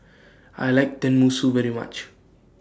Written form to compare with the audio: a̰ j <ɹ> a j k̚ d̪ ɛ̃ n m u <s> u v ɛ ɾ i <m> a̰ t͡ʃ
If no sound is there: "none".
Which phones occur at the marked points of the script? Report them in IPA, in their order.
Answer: l, s, m

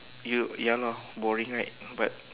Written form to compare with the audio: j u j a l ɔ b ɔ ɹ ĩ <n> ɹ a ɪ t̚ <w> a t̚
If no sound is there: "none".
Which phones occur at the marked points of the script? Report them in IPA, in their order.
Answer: ŋ, b

